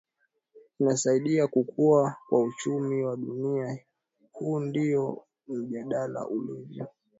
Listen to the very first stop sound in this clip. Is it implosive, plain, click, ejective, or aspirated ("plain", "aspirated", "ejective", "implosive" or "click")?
implosive